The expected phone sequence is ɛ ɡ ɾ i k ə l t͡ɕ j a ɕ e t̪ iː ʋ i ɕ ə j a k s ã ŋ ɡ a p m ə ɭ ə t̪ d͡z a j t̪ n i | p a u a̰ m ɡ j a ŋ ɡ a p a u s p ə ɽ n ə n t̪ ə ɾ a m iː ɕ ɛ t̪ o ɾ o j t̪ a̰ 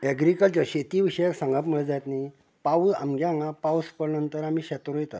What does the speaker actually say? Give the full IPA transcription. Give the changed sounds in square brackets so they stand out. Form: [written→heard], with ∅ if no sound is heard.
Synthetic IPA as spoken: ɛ ɡ ɾ i k ə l t͡ɕ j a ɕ e t̪ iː ʋ i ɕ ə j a k s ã ŋ ɡ a p m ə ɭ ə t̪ d͡z a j t̪ n i | p a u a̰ m ɡ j a ŋ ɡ a p a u s p ə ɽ n ə n t̪ ə ɾ a m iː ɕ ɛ t̪ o ɾ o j t̪ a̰